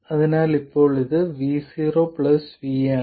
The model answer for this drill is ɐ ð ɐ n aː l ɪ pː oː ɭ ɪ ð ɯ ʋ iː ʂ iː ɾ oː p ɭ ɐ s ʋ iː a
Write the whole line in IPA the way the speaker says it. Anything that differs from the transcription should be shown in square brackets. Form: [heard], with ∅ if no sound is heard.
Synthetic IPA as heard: ɐ ð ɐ n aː l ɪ pː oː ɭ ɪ ð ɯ ʋ iː [s] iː ɾ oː p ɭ ɐ s ʋ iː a

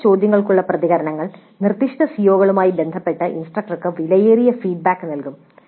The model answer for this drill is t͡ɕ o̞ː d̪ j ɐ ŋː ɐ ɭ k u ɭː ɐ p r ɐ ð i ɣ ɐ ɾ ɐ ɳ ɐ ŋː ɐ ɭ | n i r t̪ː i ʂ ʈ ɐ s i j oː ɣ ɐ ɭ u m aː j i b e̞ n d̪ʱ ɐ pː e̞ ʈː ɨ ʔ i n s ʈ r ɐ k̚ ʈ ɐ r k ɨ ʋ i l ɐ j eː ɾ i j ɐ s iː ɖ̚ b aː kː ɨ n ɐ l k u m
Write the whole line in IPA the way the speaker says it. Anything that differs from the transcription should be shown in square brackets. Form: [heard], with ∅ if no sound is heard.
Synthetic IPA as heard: t͡ɕ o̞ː d̪ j ɐ ŋː ɐ ɭ k u ɭː ɐ p r ɐ ð i ɣ ɐ ɾ ɐ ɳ ɐ ŋː ɐ ɭ | n i r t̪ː i ʂ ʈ ɐ s i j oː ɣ ɐ ɭ u m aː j i b e̞ n d̪ʱ ɐ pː e̞ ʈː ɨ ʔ i n s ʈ r ɐ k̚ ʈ ɐ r k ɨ ʋ i l ɐ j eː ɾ i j ɐ [f] iː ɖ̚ b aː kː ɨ n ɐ l k u m

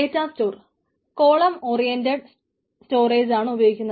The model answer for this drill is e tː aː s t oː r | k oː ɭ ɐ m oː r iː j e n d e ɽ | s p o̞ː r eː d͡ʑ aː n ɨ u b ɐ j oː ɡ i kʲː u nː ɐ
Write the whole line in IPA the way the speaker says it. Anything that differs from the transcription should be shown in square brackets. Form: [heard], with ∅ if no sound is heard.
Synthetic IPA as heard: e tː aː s t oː r | k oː ɭ ɐ m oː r [i] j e n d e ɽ | s [t] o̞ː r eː d͡ʑ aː [ɳ] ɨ u b ɐ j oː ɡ i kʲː u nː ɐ

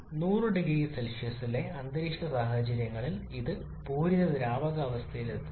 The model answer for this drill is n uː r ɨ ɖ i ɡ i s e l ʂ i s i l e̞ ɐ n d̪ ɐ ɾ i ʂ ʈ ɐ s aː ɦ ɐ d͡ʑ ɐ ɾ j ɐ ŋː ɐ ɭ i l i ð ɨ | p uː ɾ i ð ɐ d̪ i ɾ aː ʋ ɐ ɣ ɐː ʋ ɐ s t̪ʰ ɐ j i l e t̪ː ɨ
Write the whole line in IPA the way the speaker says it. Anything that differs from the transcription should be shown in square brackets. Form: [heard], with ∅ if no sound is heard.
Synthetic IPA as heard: n uː r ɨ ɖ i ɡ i s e l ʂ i s i l e̞ ɐ n d̪ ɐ ɾ i ʂ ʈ ɐ s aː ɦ ɐ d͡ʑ ɐ ɾ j ɐ ŋː ɐ ɭ i l i ð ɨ | p uː ɾ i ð ɐ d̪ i ɾ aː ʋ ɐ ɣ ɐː ʋ ɐ s t̪ʰ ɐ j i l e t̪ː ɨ

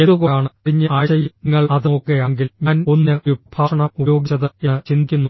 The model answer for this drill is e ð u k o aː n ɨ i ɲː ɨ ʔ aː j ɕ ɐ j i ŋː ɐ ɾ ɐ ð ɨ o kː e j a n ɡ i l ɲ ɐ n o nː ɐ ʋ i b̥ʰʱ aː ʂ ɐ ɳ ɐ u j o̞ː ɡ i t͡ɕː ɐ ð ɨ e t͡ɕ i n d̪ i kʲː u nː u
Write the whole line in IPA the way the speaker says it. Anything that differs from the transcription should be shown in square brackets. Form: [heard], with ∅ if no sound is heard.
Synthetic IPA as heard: e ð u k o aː [ɳ] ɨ i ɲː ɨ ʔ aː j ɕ ɐ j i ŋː ɐ [ɭ] ɐ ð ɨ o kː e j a [ŋ] ɡ i l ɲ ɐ n o nː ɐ ʋ i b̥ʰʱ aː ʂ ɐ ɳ ɐ u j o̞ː ɡ i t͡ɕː ɐ ð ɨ e t͡ɕ i n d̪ i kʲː u nː u

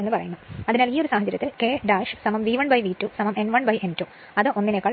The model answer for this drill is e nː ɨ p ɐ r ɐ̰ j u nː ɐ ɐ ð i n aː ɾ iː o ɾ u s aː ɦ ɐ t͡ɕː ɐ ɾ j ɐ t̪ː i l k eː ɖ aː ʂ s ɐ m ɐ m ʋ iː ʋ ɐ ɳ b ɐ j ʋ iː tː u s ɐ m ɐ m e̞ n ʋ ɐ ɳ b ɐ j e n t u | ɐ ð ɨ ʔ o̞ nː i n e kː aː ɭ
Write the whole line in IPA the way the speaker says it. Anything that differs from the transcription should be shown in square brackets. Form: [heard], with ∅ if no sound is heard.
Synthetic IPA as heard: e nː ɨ p ɐ r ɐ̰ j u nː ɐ ɐ ð i n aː [l] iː o ɾ u s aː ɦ ɐ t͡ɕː ɐ ɾ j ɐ t̪ː i l k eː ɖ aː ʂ s ɐ m ɐ m ʋ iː ʋ ɐ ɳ b ɐ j ʋ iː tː u s ɐ m ɐ m e̞ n ʋ ɐ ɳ b ɐ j e n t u | ɐ ð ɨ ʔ o̞ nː i n e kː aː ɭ

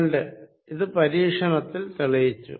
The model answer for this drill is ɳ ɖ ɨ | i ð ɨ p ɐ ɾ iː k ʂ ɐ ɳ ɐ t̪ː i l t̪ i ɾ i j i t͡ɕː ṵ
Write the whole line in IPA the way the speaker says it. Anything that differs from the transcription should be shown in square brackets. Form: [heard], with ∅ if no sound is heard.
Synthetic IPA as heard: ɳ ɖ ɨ | i ð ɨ p ɐ ɾ iː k ʂ ɐ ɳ ɐ t̪ː i l t̪ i [ɭ] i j i t͡ɕː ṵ

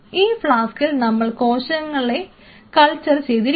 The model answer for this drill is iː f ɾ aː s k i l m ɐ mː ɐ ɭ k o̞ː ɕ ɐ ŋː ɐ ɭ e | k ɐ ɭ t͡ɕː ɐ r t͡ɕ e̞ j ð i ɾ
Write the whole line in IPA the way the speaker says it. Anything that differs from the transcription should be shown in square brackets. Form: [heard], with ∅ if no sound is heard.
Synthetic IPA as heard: iː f [ɭ] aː s k i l [n] ɐ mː ɐ ɭ k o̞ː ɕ ɐ ŋː ɐ ɭ e | k ɐ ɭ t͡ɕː ɐ r t͡ɕ e̞ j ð i ɾ

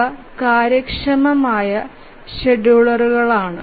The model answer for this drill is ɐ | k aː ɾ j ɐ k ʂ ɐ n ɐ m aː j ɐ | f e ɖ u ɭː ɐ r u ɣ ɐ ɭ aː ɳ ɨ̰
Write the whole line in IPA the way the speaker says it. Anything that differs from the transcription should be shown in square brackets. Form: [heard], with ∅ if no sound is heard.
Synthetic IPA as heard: ɐ | k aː ɾ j ɐ k ʂ ɐ [m] ɐ m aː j ɐ | [ɕ] e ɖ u [ɭ] ɐ r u ɣ ɐ ɭ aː ɳ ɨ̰

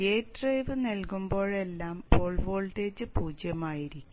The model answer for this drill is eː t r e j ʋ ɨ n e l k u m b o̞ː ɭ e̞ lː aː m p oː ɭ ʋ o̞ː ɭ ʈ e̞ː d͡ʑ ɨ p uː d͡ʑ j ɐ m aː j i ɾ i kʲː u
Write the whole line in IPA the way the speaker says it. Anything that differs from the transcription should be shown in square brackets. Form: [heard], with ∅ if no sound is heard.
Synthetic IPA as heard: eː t r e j ʋ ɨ n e l k u m b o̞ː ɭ e̞ lː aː m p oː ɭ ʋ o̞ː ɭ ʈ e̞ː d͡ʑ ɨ p uː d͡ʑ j ɐ m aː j i ɾ i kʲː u

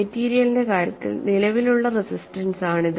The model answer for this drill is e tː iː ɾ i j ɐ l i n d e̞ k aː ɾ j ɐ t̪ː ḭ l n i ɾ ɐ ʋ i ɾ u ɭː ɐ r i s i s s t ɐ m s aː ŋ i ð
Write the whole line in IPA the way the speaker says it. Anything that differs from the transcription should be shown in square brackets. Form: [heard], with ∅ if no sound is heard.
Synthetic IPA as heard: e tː iː ɾ i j ɐ l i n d e̞ k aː ɾ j ɐ t̪ː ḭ l n i [l] ɐ ʋ i [l] u ɭː ɐ r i s i s s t ɐ [n] s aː [ɳ] i ð

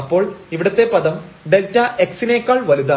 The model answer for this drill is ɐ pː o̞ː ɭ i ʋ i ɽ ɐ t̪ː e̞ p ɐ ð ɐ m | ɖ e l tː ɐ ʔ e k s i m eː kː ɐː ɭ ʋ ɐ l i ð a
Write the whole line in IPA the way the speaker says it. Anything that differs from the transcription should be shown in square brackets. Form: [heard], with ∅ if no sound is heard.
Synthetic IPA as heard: ɐ pː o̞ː ɭ i ʋ i ɽ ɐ t̪ː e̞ p ɐ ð ɐ m | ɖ e l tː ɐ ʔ e k s i [n] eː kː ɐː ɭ ʋ ɐ l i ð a

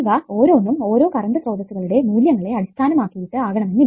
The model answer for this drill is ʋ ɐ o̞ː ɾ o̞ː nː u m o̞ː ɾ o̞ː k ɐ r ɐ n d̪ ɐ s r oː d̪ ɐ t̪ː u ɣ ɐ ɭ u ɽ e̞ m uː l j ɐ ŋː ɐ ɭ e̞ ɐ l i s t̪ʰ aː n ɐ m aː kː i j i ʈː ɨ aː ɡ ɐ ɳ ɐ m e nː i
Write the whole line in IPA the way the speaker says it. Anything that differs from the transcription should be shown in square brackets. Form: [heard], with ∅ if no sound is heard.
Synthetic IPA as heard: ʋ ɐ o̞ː ɾ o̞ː nː u m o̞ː ɾ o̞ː k ɐ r ɐ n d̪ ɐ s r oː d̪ ɐ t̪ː u ɣ ɐ ɭ u ɽ e̞ m uː l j ɐ ŋː ɐ ɭ e̞ ɐ [ɽ] i s t̪ʰ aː n ɐ m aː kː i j i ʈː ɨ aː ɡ ɐ ɳ ɐ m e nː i

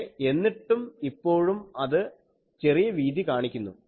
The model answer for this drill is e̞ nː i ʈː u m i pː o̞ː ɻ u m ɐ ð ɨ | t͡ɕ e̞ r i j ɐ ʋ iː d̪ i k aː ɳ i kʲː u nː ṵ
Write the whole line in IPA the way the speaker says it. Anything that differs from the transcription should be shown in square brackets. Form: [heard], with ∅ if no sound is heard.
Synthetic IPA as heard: e̞ nː i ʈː u m i pː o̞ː ɻ u m ɐ ð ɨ | t͡ɕ e̞ r i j ɐ ʋ iː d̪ i k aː ɳ i kʲː u nː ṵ

